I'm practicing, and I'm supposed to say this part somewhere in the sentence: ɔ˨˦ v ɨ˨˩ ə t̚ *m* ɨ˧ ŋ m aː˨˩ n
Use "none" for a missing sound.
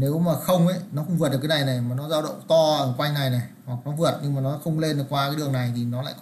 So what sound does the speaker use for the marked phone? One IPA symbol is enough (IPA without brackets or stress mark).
ɲ